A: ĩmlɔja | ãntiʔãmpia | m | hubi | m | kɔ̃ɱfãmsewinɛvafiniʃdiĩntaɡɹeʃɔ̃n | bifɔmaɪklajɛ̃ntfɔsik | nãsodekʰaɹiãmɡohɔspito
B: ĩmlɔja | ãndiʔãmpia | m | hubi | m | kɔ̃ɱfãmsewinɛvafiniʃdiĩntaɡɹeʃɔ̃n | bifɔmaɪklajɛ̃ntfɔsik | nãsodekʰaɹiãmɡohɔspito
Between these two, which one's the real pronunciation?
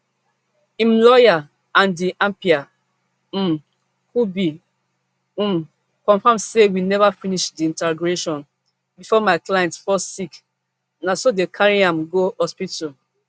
B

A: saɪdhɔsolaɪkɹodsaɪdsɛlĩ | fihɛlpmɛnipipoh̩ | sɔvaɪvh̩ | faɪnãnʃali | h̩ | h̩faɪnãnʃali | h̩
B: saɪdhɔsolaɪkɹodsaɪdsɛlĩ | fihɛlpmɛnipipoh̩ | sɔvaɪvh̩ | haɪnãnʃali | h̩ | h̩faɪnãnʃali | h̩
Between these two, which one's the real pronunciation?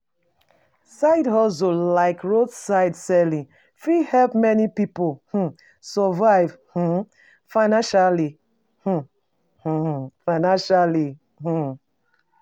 A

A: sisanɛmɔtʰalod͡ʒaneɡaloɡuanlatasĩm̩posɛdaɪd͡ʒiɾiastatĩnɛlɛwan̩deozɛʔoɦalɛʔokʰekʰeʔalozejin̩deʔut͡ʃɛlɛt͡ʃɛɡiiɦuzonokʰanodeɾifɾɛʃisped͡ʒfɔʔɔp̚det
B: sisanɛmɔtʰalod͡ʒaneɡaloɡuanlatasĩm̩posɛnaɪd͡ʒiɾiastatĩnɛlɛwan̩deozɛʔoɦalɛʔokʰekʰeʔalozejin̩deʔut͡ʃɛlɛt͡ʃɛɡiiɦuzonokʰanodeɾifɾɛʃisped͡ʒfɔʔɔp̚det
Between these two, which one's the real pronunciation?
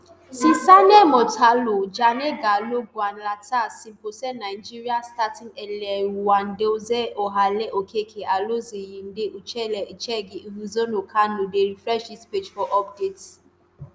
B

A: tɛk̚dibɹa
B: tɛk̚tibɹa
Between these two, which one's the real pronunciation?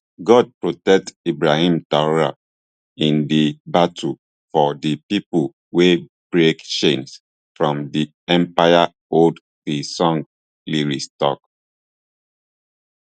B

